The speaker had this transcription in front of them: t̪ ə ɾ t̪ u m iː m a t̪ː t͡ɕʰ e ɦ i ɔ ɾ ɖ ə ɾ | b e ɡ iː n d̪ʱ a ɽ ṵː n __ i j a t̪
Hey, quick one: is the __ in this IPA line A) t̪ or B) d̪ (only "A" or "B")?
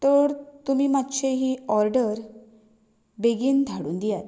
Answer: B